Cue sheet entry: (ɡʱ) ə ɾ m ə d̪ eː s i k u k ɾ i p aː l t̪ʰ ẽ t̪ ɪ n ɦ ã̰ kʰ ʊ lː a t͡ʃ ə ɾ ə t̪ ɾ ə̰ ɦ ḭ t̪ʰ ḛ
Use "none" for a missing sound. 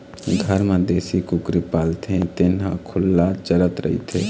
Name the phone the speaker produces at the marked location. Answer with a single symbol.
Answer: ɡʱ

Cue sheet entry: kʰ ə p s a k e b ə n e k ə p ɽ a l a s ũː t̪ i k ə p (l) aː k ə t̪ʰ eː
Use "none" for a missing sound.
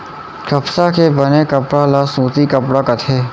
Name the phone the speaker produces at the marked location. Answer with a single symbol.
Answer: ɽ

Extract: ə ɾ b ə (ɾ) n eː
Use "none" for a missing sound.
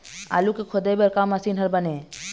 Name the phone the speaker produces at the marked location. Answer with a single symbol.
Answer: none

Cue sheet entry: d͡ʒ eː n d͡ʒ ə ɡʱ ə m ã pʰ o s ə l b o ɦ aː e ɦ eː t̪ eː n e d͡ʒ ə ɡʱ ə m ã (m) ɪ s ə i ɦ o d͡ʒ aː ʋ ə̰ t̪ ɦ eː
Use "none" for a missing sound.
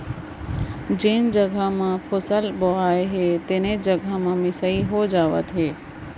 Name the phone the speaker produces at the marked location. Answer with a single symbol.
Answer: m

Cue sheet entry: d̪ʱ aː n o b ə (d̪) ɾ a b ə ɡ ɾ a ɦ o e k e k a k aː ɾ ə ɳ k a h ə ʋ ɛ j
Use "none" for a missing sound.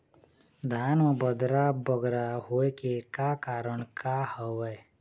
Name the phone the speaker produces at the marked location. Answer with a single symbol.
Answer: d̪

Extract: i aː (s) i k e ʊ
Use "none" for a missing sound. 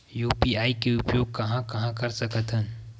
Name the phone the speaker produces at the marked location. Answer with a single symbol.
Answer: none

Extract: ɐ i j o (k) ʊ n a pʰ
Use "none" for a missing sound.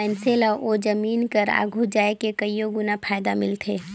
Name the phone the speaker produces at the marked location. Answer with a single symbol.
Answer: ɡ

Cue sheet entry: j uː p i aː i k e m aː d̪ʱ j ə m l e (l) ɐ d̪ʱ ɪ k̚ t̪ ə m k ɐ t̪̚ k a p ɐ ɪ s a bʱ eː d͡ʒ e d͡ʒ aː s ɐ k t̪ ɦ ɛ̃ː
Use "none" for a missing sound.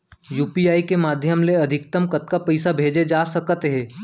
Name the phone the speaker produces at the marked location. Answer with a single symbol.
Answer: none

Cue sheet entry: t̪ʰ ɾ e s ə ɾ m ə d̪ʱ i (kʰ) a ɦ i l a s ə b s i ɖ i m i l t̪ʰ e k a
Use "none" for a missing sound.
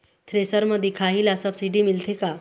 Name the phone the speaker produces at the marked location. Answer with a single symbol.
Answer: kʰ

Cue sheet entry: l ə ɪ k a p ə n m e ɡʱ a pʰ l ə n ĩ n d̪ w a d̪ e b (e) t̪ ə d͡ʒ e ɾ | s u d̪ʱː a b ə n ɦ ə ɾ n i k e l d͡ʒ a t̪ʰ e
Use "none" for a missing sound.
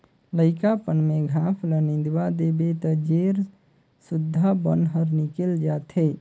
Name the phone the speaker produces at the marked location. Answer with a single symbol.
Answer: e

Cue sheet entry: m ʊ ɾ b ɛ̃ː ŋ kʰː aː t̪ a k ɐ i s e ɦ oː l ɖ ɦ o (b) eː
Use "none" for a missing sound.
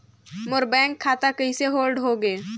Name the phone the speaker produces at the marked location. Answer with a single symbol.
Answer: ɡ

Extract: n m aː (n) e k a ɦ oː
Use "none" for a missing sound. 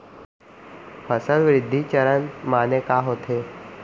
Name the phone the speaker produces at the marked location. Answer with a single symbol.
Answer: n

